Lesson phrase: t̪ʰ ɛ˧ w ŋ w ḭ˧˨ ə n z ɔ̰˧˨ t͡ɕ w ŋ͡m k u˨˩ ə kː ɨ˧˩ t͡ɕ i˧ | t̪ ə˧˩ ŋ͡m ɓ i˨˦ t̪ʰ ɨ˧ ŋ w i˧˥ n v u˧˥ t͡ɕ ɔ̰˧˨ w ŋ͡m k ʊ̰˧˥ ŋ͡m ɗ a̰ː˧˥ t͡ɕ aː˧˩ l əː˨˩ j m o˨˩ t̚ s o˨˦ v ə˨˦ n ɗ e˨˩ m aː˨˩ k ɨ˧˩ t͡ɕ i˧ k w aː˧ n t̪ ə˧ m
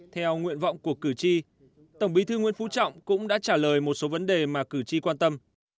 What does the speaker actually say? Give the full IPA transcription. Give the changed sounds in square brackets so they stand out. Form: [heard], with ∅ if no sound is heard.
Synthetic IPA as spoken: t̪ʰ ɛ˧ w ŋ w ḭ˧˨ ə n [v] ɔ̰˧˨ [∅] w ŋ͡m k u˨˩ ə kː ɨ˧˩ t͡ɕ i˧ | t̪ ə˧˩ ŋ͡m ɓ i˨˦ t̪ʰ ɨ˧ ŋ w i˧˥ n [f] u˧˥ t͡ɕ ɔ̰˧˨ w ŋ͡m k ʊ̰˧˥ ŋ͡m ɗ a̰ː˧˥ t͡ɕ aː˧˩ l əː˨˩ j m o˨˩ t̚ s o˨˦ v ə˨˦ n ɗ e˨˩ m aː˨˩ k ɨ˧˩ t͡ɕ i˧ k w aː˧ n t̪ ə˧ m

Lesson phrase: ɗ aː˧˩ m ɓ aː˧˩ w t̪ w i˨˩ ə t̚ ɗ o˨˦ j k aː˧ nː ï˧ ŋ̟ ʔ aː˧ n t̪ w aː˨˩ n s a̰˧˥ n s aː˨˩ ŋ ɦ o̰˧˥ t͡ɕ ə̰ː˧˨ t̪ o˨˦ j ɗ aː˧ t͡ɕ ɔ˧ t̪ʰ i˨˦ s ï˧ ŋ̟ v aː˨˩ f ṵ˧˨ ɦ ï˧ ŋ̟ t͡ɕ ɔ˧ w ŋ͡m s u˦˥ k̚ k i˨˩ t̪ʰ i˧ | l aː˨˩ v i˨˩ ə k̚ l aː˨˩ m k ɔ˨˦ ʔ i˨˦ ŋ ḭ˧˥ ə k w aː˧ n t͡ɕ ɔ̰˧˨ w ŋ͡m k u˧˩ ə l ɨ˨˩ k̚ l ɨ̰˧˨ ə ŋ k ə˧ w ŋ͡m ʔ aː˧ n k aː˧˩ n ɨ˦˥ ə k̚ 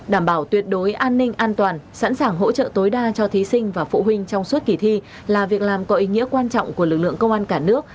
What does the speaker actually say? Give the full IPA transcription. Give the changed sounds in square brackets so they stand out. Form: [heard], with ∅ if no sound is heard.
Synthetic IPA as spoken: ɗ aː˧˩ m ɓ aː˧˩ w t̪ w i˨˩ ə t̚ ɗ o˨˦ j [ʔ] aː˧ nː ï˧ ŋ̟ ʔ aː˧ n t̪ w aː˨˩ n s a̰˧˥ n s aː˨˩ ŋ ɦ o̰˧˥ t͡ɕ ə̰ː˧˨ t̪ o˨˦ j ɗ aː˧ t͡ɕ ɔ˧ t̪ʰ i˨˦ s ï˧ ŋ̟ v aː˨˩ f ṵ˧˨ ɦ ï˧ ŋ̟ t͡ɕ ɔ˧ w ŋ͡m s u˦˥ [t̚] k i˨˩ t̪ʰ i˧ | l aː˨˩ v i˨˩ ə k̚ l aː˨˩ m k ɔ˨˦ ʔ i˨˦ ŋ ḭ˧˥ ə k w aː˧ n t͡ɕ ɔ̰˧˨ w ŋ͡m k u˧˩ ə l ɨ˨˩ k̚ l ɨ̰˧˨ ə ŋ k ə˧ w ŋ͡m ʔ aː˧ n k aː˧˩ n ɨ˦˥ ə k̚

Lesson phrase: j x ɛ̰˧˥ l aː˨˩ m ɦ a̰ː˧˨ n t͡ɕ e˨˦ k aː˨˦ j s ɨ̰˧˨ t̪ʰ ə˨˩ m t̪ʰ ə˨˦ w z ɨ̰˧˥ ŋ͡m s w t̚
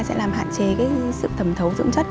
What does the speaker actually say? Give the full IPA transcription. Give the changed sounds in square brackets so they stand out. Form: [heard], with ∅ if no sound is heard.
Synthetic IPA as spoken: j [s] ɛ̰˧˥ l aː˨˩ m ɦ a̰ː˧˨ n t͡ɕ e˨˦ k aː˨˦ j s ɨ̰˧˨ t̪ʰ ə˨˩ m t̪ʰ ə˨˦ w z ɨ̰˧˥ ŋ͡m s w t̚

